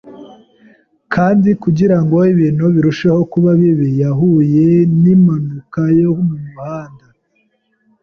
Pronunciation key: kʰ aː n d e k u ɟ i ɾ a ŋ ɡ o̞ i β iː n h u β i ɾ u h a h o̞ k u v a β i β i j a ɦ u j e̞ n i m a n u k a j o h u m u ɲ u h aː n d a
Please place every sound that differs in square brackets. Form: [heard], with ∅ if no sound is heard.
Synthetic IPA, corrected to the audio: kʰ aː n d [i] k u ɟ i ɾ a ŋ ɡ o̞ i β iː n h u β i ɾ u [ʃ] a h o̞ k u [β] a β i β i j a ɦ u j e̞ n i m a n u k a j o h u m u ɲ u h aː n d a